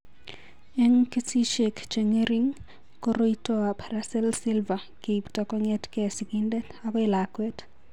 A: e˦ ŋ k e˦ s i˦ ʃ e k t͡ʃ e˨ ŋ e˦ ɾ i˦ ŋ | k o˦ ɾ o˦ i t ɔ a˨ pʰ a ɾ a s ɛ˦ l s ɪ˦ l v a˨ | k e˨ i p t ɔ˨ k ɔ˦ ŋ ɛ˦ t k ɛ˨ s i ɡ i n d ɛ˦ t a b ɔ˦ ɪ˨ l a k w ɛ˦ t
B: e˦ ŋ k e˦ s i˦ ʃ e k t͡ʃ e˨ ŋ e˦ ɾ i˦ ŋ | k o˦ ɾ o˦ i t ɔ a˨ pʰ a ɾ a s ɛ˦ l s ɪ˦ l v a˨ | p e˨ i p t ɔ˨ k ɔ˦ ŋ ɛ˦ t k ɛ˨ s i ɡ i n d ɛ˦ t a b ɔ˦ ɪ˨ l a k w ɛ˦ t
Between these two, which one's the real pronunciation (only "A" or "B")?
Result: A